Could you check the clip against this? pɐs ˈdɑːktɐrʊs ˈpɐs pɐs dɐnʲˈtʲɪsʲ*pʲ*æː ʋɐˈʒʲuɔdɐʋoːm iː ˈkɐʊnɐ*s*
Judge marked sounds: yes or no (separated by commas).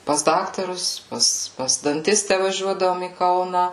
no, no